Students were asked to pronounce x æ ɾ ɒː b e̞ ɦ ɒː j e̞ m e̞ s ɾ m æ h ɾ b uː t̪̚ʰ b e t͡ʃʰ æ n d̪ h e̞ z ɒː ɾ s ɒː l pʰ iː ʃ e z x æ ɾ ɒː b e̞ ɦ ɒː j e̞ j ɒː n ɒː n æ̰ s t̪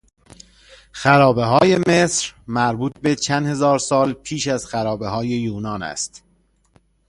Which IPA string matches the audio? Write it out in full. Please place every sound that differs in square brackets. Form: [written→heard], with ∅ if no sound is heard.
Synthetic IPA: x æ ɾ ɒː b e̞ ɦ ɒː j e̞ m e̞ s ɾ m æ [h→∅] ɾ b uː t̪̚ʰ b e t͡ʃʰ æ n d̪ h e̞ z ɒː ɾ s ɒː l pʰ iː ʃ [e→æ] z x æ ɾ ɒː b e̞ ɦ ɒː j e̞ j [ɒː→uː] n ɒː n æ̰ s t̪